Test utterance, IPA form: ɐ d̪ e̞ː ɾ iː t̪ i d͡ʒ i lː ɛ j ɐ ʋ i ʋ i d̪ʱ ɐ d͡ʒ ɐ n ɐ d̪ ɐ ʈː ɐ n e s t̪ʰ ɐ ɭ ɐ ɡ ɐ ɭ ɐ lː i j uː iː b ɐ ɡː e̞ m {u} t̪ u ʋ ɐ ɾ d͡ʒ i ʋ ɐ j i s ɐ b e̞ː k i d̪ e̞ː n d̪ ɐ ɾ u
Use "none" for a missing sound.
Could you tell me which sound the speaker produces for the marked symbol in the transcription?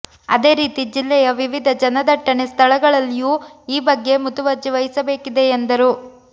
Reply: u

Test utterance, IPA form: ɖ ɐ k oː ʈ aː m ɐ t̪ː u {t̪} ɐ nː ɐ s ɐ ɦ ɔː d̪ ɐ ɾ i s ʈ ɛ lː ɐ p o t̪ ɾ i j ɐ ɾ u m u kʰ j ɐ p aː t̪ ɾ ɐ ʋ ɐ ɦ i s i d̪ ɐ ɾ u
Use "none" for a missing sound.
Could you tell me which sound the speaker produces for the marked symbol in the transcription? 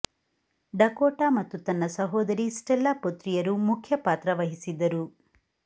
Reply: t̪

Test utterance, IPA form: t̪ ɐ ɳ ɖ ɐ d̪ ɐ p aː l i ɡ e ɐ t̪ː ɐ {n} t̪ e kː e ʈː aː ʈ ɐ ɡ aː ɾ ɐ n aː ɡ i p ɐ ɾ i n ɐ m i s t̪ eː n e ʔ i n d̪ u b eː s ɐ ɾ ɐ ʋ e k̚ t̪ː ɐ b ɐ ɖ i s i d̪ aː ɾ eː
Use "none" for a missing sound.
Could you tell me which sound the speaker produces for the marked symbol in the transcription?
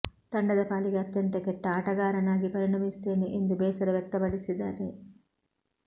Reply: n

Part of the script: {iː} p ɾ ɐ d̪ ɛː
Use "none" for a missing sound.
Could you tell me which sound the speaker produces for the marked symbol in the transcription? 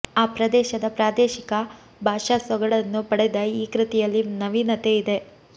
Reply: aː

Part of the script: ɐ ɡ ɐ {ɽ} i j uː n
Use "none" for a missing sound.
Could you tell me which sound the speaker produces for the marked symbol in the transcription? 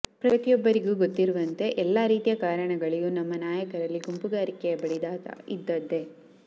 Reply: ɭ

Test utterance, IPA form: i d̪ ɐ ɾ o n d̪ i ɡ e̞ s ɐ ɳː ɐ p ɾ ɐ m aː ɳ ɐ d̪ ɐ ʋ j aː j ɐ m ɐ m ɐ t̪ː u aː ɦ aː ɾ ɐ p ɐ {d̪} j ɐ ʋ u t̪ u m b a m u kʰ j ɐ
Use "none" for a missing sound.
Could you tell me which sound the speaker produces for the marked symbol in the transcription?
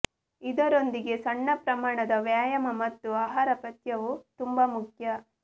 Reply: t̪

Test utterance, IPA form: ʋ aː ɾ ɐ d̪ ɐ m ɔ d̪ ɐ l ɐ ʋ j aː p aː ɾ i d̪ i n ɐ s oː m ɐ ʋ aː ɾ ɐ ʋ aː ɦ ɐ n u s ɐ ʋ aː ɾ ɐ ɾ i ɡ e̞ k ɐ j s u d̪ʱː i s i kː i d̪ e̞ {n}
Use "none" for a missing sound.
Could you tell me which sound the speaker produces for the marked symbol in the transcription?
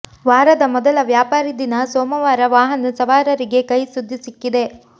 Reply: none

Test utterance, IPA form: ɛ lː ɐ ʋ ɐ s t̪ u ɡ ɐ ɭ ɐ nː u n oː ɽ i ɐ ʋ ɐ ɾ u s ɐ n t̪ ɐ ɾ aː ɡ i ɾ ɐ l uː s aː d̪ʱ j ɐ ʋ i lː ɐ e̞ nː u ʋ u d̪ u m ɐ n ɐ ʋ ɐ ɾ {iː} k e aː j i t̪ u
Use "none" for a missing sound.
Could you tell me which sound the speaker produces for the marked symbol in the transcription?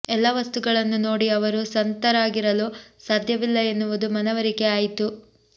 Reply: i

